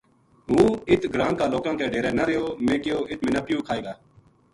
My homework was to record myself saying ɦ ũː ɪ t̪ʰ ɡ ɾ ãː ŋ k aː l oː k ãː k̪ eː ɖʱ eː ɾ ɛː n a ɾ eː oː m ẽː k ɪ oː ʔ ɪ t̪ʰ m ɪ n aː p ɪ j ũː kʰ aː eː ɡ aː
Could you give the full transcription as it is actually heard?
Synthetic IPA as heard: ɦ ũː ɪ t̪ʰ ɡ ɾ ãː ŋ k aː l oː k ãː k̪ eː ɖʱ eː ɾ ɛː n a ɾ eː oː m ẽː k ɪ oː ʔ ɪ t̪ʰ m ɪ n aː p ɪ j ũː kʰ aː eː ɡ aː